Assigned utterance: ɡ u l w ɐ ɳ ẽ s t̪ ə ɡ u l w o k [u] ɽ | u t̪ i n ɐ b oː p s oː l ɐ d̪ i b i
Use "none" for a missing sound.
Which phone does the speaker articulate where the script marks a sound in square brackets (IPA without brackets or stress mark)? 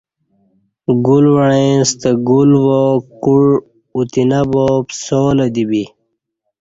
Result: u